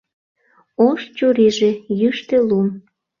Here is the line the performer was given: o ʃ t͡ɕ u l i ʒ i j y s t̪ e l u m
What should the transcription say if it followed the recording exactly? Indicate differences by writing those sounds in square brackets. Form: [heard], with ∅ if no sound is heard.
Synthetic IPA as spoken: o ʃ t͡ɕ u [ɾ] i ʒ [e] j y [ʃ] t̪ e l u m